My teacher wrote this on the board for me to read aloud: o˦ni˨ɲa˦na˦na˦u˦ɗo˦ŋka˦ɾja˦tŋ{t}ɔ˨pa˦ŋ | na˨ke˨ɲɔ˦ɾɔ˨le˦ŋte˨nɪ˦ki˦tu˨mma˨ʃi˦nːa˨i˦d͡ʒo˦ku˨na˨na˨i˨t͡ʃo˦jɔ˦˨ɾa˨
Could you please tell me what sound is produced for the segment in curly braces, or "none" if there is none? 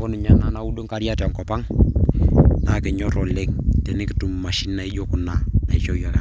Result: k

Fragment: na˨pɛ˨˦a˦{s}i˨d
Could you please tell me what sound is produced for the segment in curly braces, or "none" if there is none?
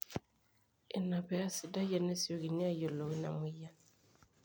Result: s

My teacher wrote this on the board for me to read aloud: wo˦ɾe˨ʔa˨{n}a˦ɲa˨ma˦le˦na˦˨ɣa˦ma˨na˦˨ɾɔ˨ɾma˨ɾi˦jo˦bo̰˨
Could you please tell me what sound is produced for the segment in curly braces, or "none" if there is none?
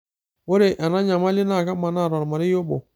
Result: n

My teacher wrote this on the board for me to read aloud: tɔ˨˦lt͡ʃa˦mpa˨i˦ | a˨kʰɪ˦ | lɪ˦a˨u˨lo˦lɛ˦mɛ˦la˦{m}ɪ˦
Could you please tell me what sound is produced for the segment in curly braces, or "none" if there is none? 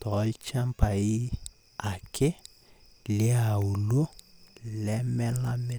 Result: m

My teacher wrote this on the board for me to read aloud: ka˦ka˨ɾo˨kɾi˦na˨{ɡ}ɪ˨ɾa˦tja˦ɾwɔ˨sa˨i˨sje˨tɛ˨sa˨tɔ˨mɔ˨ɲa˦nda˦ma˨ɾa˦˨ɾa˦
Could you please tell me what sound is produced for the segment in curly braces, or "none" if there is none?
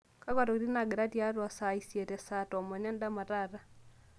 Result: ɡ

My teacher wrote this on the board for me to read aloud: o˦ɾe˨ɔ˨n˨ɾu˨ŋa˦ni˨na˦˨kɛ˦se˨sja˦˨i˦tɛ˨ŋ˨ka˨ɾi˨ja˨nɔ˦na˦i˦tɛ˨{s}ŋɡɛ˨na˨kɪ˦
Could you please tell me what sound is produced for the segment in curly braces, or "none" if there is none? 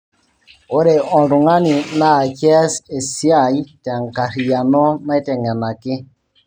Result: none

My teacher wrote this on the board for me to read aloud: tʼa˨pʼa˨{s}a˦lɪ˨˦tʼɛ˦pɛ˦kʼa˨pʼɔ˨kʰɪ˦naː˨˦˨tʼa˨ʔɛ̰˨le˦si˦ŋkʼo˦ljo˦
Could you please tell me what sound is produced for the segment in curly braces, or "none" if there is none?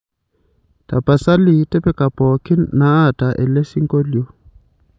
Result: s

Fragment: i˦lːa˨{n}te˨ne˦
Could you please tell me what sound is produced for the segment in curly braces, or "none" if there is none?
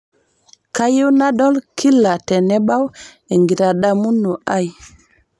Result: none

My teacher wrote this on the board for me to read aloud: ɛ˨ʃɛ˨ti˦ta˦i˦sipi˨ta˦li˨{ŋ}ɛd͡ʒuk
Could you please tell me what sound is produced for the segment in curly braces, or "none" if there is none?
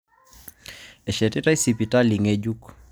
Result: ŋ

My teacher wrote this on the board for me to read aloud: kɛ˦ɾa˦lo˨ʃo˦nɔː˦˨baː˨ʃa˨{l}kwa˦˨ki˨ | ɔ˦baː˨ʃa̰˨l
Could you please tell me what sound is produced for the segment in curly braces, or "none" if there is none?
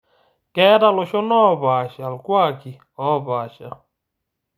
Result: l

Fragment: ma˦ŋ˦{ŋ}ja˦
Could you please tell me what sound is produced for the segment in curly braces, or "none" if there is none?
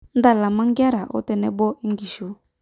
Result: ɡ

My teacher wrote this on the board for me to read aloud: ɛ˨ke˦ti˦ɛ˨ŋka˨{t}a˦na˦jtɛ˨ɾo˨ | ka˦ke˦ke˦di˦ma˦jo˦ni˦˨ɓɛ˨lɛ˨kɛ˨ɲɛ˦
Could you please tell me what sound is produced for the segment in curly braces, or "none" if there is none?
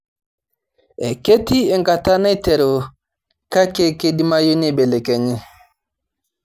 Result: t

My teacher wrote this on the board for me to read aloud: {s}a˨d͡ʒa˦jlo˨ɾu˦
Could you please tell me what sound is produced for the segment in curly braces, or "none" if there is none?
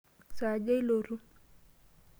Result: s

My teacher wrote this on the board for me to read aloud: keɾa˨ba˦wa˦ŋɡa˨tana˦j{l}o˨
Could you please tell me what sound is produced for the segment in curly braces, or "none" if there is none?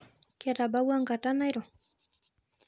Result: ɾ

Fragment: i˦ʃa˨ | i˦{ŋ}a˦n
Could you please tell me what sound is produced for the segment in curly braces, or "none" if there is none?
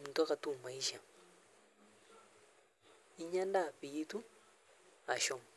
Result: ɲ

